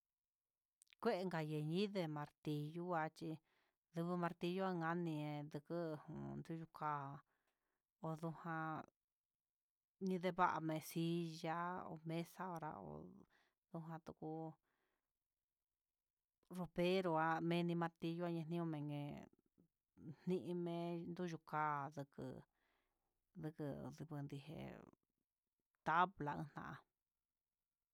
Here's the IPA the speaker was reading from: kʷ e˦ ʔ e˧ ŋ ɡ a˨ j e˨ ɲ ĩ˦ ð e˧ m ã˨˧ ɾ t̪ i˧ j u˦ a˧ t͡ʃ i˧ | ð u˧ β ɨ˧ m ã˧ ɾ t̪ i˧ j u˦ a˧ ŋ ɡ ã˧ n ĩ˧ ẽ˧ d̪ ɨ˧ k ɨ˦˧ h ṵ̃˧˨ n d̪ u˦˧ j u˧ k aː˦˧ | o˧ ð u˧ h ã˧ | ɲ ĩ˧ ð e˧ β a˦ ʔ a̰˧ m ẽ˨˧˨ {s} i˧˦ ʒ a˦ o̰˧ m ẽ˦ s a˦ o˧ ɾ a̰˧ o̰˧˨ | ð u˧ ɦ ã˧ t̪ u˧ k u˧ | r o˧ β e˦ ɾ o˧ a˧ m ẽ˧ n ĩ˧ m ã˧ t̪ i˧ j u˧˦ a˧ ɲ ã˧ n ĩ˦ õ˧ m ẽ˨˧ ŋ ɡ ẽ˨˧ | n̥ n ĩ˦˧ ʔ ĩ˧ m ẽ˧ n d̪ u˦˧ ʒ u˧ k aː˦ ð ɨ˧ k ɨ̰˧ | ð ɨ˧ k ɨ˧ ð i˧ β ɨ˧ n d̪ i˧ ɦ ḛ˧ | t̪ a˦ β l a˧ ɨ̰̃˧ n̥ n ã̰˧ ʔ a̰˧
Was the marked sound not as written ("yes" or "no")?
no